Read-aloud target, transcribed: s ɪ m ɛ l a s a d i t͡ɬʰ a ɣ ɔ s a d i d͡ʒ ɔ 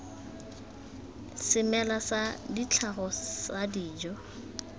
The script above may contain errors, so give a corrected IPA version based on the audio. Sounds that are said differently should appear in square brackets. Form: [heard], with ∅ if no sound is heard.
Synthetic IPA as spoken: s ɪ m ɛ l a s a d i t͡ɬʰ a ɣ ɔ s a d [iː] d͡ʒ ɔ